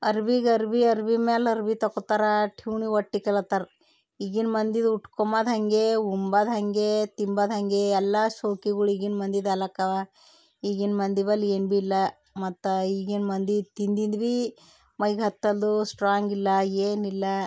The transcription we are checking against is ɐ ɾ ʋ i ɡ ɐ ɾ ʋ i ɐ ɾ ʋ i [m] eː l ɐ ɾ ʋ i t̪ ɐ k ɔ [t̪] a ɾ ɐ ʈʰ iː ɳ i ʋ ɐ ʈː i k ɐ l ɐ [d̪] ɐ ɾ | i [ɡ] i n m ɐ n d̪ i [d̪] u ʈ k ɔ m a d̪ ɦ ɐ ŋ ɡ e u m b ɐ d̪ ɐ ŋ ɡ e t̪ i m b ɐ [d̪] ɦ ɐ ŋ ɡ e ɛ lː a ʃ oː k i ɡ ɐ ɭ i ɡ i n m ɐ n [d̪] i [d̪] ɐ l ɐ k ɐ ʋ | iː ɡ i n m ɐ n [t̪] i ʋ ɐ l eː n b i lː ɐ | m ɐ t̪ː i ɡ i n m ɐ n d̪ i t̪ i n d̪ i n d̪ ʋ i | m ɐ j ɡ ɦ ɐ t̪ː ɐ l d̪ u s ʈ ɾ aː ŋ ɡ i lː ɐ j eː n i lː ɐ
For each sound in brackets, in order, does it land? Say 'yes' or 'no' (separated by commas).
yes, yes, no, yes, yes, yes, yes, yes, no